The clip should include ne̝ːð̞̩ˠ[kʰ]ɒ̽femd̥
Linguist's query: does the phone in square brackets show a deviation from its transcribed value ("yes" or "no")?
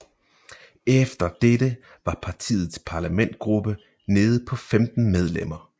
yes